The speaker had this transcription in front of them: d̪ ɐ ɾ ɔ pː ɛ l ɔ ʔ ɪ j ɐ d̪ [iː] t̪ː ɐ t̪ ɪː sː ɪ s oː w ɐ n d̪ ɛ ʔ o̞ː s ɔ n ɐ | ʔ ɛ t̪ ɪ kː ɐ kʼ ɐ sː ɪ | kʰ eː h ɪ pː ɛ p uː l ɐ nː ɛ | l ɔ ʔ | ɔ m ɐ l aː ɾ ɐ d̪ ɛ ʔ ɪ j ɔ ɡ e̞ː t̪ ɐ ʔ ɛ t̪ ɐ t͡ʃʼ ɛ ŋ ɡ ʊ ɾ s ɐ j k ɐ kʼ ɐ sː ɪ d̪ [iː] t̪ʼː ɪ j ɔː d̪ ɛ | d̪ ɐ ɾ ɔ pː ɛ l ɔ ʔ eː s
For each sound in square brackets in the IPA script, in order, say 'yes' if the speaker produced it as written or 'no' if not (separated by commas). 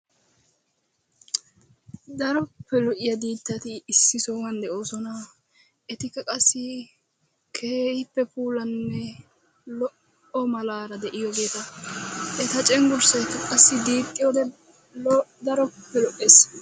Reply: yes, yes